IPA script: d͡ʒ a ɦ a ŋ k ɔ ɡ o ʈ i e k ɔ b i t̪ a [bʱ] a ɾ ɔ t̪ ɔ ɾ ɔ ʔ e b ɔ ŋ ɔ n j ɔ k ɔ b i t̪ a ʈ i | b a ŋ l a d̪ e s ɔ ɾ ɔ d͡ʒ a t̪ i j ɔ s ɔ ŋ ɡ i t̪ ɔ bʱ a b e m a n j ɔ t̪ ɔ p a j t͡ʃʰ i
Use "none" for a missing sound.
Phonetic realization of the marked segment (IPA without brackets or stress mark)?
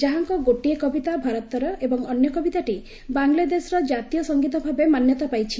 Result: bʱ